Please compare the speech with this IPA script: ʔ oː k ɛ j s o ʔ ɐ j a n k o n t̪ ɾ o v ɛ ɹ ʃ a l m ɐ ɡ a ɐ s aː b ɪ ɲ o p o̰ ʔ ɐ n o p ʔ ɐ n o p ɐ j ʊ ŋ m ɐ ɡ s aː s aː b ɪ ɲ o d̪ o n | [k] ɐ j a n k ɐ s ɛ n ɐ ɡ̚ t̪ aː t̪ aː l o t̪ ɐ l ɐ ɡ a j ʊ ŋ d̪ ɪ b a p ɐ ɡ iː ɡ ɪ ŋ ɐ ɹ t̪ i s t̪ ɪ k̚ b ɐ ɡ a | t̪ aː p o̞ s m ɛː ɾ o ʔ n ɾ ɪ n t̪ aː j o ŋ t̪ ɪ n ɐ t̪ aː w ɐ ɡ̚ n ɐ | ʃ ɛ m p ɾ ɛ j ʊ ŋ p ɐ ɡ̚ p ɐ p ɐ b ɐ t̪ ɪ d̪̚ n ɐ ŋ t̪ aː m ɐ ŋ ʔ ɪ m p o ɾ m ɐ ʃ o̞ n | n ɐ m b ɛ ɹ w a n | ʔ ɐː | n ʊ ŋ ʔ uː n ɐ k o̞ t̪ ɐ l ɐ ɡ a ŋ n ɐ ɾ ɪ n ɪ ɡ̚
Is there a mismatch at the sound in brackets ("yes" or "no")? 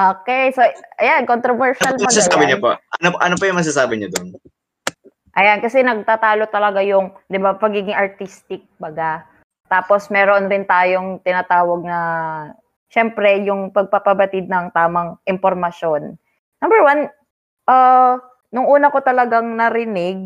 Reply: yes